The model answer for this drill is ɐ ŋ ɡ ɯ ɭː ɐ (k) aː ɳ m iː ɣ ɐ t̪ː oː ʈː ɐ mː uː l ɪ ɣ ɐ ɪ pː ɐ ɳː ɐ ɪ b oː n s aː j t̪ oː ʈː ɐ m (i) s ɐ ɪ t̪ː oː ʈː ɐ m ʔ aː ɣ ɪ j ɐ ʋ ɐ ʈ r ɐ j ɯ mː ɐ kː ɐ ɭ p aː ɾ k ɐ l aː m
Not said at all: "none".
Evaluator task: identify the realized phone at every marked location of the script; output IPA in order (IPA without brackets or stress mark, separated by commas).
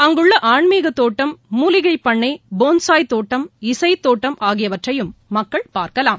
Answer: ʔ, ɪ